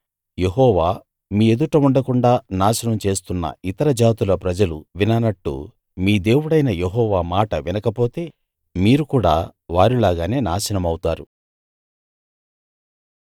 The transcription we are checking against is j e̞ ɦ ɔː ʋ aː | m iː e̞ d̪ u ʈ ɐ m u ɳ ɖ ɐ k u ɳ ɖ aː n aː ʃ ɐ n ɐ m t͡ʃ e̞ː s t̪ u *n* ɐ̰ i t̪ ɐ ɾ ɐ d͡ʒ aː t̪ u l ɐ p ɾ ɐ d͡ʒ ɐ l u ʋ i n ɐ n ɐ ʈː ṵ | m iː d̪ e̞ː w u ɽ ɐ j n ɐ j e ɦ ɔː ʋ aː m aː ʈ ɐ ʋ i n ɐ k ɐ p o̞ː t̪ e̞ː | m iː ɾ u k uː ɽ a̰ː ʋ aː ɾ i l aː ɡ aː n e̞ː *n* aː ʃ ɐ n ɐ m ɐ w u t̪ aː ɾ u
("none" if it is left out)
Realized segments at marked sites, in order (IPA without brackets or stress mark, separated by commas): nː, n